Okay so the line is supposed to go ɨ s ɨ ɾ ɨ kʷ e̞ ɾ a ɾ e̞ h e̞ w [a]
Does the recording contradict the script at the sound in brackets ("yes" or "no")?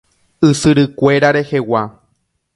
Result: no